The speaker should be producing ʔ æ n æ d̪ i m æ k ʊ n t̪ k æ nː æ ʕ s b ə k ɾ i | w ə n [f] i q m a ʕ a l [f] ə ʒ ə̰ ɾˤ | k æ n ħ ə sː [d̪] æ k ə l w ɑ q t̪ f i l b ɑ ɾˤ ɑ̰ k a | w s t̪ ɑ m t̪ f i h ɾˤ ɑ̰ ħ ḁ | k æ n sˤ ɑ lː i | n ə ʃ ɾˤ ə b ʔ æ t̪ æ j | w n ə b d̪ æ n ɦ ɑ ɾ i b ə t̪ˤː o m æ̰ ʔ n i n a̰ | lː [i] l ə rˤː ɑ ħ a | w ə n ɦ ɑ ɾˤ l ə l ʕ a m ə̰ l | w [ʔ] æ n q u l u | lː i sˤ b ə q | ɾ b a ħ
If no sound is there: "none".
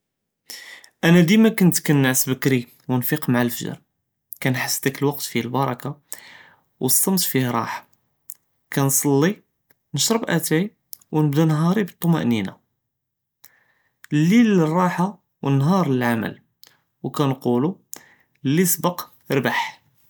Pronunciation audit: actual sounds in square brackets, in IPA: f, f, d̪, i, k

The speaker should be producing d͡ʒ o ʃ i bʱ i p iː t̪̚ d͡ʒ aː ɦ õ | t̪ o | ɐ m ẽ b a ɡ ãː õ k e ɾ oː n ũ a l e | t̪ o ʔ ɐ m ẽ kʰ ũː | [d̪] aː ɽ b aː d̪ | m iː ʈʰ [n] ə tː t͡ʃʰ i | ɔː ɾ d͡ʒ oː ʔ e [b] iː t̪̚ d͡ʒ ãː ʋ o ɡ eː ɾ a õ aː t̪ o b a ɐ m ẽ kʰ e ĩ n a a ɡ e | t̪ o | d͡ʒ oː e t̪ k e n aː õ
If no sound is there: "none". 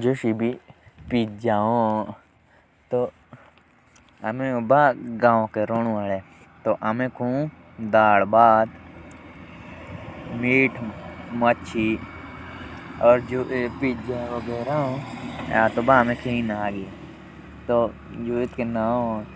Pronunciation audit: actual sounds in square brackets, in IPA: d̪, m, p

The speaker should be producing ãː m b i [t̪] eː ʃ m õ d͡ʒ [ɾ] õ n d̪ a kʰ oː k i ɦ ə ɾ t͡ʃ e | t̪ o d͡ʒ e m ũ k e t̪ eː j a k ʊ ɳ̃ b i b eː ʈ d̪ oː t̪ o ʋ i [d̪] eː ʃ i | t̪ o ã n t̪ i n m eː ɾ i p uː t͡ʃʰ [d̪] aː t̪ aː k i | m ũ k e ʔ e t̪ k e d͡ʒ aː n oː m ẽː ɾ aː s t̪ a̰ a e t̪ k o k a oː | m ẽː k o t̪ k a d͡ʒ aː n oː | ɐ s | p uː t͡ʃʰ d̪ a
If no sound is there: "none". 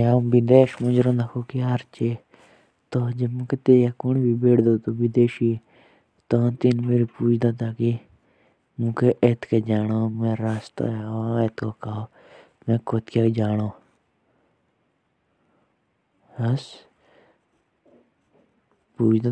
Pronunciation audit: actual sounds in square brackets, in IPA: d̪, ɾ, d̪, d̪

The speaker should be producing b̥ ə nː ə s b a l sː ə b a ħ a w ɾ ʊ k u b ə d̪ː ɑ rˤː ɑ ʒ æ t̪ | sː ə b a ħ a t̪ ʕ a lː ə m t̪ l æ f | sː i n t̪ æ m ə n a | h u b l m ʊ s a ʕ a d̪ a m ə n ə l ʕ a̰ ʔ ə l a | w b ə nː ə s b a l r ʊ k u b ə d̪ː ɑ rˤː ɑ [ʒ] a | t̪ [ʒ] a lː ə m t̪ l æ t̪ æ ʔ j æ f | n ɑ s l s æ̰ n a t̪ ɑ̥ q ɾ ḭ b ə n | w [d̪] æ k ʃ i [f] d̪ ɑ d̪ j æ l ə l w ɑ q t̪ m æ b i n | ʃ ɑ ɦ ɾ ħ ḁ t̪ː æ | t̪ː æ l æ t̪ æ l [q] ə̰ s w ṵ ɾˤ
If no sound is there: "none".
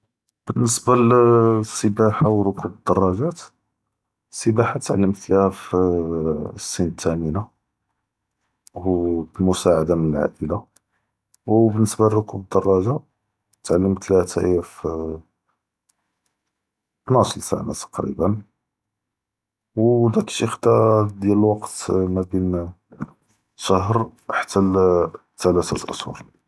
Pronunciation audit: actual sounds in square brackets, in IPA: ʒ, ʕ, d̪, x, ʔ

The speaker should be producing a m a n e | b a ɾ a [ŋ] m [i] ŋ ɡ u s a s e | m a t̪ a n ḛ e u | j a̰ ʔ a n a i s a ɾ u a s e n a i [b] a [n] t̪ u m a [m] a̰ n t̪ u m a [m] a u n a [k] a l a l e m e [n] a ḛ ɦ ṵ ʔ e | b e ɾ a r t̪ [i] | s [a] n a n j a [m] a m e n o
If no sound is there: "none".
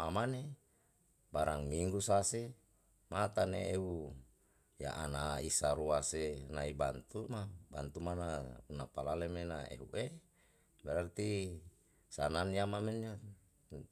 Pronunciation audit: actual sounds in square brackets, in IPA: ŋ, i, b, n, b, n, p, n, i, a, m

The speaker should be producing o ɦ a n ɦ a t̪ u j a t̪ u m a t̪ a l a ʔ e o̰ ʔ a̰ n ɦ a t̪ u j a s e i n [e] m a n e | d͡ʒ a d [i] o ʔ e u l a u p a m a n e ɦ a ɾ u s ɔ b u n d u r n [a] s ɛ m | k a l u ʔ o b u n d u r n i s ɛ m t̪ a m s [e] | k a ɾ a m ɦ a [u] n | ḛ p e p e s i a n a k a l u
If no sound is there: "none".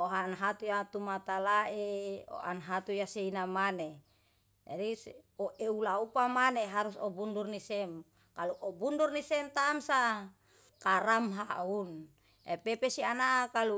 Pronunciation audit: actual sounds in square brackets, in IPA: a, i, i, a, u

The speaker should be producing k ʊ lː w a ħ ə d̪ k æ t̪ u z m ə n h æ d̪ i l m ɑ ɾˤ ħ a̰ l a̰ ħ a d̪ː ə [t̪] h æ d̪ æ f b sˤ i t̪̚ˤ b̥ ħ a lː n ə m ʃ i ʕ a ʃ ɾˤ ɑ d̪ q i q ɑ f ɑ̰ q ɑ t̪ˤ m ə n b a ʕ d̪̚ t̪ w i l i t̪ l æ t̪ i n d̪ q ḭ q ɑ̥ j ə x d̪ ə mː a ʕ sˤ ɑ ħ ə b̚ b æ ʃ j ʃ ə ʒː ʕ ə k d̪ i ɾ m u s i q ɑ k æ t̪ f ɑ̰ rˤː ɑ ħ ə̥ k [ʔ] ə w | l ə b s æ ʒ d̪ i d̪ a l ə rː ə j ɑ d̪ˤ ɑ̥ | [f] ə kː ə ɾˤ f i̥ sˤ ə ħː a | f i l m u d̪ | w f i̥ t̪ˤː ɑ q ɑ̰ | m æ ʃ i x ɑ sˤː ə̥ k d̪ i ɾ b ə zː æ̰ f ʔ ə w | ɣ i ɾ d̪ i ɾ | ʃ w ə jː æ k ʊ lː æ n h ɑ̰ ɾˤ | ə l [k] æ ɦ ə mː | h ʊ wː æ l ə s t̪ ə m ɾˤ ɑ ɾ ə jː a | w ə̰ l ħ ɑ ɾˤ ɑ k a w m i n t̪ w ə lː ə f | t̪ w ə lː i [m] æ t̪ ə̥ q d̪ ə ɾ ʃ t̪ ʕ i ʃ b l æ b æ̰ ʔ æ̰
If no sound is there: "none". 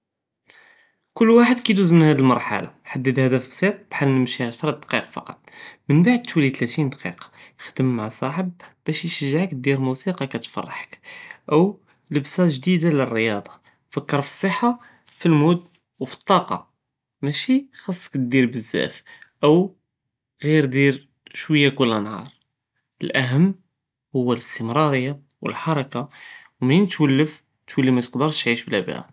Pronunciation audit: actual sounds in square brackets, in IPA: d̪, ʔ, f, ʔ, m

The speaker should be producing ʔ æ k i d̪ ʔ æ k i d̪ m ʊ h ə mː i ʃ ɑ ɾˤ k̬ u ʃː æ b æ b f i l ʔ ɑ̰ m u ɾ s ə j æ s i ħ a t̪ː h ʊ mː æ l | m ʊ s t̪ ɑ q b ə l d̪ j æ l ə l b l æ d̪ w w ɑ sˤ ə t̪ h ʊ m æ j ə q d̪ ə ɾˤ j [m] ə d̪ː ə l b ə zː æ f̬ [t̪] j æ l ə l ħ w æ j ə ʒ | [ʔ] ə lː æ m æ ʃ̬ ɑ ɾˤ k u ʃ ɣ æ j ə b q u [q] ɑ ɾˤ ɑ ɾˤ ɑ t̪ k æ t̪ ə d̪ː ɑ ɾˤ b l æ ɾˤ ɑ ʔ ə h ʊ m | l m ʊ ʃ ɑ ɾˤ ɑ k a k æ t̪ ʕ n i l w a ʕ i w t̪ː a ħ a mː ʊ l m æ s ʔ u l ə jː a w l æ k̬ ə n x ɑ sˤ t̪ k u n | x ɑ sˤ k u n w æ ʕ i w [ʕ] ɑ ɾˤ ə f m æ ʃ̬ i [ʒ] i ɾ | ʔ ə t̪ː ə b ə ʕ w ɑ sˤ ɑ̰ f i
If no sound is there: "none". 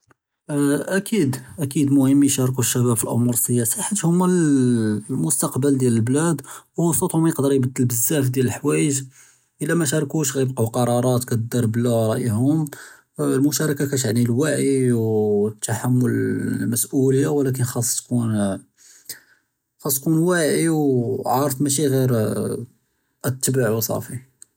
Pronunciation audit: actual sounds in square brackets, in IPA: b, d̪, ʔ, q, ʕ, ɣ

